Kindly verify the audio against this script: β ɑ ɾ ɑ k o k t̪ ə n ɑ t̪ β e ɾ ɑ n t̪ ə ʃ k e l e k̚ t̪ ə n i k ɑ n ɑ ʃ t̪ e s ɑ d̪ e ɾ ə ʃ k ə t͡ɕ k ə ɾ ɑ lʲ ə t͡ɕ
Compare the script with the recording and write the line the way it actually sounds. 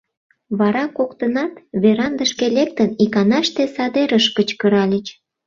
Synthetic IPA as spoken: β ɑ ɾ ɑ k o k t̪ ə n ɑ t̪ β e ɾ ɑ n d̪ ə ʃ k e l e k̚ t̪ ə n i k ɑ n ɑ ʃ t̪ e s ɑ d̪ e ɾ ə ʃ k ə t͡ɕ k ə ɾ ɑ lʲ ə t͡ɕ

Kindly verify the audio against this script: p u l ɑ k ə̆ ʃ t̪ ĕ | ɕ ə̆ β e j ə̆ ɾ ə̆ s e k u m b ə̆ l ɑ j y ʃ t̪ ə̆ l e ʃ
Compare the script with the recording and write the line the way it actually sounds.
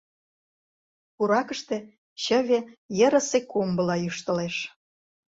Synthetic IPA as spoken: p u ɾ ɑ k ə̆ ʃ t̪ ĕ | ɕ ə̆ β e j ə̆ ɾ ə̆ s e k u m b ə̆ l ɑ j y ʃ t̪ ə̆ l e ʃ

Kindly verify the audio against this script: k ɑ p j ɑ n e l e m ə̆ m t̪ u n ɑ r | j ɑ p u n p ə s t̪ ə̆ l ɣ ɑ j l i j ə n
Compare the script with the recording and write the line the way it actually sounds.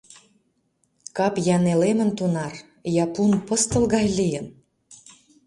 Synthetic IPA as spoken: k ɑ p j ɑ n e l e m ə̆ n t̪ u n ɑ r | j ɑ p u n p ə s t̪ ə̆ l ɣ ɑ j l i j ə n

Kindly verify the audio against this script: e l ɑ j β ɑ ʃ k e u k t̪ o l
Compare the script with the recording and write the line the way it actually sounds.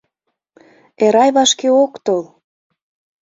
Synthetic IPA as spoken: e ɾ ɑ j β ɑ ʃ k e o k t̪ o l

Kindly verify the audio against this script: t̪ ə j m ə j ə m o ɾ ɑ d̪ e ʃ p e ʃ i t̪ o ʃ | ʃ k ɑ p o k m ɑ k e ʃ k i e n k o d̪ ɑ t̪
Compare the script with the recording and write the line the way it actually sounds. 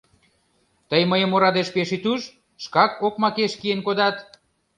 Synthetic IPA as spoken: t̪ ə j m ə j ə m o ɾ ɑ d̪ e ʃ p e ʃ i t̪ u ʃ | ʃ k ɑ k o k m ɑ k e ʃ k i e n k o d̪ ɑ t̪

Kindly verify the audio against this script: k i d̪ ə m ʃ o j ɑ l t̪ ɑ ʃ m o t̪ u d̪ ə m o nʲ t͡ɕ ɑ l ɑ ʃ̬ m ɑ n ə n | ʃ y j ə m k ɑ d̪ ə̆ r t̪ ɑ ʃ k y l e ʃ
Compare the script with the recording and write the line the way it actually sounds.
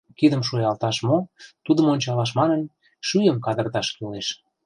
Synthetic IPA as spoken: k i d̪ ə m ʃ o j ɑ l t̪ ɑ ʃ m o t̪ u d̪ ə m o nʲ t͡ɕ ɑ l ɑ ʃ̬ m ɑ n ə n | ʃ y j ə m k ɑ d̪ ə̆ r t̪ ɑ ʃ k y l e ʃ

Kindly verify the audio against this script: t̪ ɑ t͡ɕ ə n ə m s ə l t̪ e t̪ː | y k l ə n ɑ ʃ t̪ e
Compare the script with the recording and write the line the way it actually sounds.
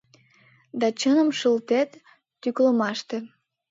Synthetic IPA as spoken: d̪ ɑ t͡ɕ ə n ə m ʃ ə l t̪ e t̪ː | y k l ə m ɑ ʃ t̪ e

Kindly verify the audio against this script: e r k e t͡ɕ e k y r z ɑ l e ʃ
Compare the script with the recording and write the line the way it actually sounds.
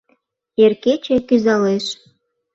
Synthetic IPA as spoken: e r k e t͡ɕ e k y z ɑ l e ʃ

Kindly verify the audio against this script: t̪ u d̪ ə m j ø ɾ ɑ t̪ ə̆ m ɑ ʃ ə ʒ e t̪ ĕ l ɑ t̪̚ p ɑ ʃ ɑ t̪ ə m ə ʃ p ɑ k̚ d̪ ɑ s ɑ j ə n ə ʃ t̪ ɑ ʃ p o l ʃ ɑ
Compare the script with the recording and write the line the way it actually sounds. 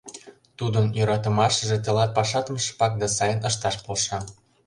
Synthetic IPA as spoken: t̪ u d̪ ə n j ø ɾ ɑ t̪ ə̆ m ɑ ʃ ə ʒ e t̪ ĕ l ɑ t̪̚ p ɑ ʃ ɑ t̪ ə m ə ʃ p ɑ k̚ d̪ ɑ s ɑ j ə n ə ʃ t̪ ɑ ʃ p o l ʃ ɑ

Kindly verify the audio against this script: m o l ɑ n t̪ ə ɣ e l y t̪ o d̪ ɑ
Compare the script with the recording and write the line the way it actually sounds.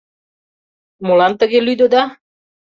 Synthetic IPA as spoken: m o l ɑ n t̪ ə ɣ e l y d̪ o d̪ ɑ

